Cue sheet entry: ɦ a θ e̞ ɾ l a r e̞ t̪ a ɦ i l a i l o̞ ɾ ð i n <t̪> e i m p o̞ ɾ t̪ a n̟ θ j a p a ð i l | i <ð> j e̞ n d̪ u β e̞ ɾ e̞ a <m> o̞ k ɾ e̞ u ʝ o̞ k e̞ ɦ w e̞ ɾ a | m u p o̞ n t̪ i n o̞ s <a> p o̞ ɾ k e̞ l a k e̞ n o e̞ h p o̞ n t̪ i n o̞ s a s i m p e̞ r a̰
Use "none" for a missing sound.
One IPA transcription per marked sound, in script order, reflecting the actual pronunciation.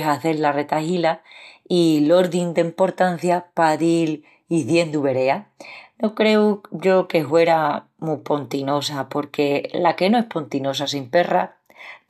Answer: d̪, ð, n, a

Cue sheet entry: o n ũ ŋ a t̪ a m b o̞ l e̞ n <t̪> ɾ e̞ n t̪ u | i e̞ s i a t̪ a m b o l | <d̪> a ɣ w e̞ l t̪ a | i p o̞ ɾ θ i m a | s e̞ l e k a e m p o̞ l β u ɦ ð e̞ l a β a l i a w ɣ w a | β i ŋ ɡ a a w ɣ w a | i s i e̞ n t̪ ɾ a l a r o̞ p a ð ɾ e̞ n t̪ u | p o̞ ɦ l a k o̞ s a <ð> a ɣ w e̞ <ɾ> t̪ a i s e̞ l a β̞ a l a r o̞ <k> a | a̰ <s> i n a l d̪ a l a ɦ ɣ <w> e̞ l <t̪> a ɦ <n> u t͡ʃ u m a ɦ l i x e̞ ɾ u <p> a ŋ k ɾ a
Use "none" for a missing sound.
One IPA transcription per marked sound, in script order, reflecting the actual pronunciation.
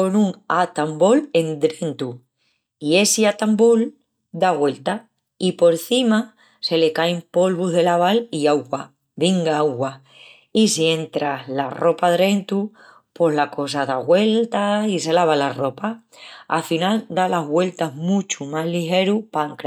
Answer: d̪, d̪, ð, l, p, f, w, t̪, m, p

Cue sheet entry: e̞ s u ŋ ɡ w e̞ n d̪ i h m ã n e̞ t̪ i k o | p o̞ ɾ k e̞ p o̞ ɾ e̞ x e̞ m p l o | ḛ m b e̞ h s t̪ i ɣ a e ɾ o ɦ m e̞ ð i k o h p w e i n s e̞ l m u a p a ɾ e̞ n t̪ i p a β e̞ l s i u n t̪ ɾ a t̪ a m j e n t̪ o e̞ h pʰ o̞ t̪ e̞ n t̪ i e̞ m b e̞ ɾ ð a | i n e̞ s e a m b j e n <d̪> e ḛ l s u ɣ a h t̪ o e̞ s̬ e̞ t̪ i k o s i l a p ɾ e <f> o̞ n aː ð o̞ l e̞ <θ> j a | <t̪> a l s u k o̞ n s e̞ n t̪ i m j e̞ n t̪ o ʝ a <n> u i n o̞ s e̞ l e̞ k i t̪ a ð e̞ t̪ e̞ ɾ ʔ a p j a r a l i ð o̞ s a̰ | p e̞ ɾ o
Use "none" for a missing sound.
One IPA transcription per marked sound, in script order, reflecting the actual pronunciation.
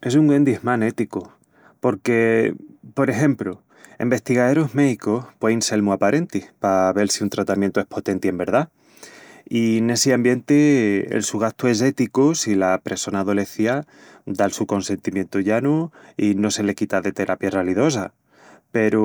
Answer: t̪, s, θ, d̪, n

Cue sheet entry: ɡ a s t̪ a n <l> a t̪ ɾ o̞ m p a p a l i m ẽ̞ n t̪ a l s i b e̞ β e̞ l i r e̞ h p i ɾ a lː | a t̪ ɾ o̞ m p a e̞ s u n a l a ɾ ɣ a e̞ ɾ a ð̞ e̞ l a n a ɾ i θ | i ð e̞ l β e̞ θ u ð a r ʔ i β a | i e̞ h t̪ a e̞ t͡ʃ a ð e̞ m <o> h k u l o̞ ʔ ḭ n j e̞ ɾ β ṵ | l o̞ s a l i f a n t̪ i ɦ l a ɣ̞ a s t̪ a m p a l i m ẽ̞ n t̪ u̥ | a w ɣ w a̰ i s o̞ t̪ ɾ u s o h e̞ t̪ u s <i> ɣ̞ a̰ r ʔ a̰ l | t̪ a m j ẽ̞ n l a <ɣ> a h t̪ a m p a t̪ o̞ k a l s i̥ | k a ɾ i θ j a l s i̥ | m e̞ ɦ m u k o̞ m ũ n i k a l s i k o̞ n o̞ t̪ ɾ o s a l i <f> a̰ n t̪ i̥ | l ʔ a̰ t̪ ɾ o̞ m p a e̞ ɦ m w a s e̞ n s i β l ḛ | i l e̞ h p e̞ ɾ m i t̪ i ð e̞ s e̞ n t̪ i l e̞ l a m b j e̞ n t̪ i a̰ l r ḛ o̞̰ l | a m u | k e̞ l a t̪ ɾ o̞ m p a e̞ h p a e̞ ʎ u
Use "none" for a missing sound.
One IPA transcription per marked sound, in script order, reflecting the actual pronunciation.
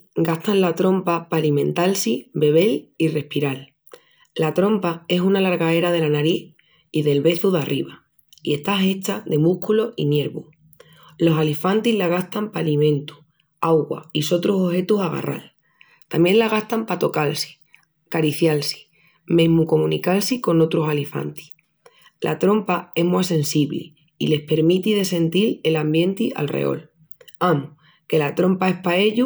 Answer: l, u, a, ɣ, f

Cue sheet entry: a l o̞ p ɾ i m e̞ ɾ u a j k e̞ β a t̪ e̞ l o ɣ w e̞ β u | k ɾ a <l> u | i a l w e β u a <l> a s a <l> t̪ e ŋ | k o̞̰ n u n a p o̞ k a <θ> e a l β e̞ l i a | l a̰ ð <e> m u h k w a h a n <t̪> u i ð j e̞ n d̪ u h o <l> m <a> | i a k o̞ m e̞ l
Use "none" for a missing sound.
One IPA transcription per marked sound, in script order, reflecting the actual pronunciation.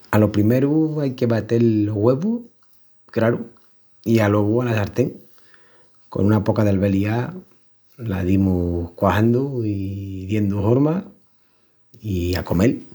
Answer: ɾ, l, ɾ, ð, i, d̪, ɾ, a

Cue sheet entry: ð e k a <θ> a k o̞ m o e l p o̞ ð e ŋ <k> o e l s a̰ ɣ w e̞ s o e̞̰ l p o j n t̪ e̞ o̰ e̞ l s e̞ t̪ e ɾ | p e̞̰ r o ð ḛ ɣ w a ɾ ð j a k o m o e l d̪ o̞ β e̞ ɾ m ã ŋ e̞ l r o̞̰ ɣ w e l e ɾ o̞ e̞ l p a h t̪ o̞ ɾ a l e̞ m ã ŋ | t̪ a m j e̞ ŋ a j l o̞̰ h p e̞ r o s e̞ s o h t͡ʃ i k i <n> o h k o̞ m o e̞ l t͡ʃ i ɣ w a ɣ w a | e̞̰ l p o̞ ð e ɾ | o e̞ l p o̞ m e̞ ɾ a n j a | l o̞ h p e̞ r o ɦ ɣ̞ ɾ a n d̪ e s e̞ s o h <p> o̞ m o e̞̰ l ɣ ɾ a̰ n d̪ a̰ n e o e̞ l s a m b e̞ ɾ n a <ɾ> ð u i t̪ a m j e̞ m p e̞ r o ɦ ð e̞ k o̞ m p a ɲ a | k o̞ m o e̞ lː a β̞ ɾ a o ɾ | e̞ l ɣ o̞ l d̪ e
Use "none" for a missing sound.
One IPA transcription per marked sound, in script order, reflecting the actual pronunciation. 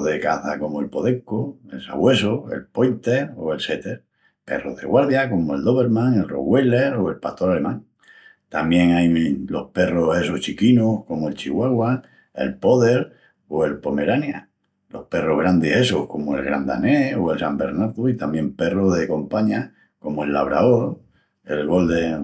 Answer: θ, k, n, k, ɾ

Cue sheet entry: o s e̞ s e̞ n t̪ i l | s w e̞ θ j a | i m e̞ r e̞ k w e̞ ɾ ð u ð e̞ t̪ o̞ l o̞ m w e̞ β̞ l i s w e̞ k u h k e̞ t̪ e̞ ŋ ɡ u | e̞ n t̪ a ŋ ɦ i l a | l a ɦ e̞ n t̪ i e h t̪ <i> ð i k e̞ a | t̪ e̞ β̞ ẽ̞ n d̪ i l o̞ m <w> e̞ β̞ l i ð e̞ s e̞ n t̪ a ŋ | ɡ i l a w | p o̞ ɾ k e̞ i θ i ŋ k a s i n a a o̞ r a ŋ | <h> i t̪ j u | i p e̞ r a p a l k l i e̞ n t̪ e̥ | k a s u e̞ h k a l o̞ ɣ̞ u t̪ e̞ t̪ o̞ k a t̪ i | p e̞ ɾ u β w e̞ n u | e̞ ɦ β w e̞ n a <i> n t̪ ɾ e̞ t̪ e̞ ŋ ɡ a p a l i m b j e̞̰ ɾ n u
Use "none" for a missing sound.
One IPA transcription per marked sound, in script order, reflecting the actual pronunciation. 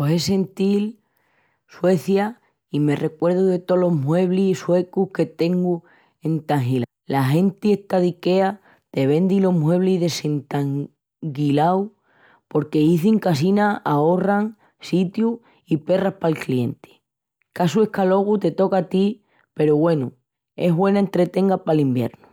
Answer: a, w, s, e

